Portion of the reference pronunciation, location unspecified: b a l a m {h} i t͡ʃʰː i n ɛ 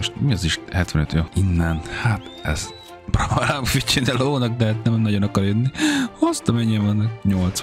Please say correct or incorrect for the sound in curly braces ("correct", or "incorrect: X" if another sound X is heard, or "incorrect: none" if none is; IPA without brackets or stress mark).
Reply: incorrect: f